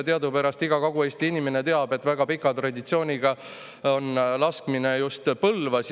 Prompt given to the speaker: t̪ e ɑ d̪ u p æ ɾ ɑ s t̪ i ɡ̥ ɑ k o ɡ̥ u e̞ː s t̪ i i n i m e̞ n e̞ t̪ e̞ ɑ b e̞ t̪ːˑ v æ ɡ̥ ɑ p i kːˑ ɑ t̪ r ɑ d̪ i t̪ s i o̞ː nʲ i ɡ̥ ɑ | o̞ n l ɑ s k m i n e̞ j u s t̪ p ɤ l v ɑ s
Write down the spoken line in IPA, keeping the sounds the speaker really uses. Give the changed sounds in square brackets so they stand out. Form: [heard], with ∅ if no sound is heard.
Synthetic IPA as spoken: t̪ e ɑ d̪ u p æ ɾ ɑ s t̪ i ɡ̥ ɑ k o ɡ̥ u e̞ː s t̪ i i n i m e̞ n e̞ t̪ e̞ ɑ b e̞ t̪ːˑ v æ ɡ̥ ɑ p i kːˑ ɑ t̪ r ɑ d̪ i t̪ s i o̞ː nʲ i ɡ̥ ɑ | o̞ n l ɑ s k m i n e̞ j u s t̪ p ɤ l v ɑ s